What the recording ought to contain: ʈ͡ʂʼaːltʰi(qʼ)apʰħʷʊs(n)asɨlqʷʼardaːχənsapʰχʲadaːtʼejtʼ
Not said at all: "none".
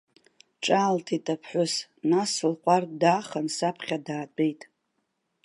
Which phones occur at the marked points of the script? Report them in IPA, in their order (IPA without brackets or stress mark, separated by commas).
tʼ, n